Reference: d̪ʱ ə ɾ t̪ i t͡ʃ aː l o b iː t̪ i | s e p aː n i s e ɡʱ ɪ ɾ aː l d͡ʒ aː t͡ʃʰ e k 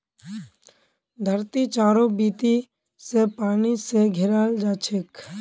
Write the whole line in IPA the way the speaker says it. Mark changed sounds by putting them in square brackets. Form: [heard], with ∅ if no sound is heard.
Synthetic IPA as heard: d̪ʱ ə ɾ t̪ i t͡ʃ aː [ɾ] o b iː t̪ i | s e p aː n i s e ɡʱ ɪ ɾ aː l d͡ʒ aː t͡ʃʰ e k